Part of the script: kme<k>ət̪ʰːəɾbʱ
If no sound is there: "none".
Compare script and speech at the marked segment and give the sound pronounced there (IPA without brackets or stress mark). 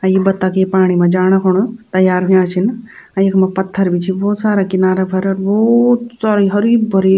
p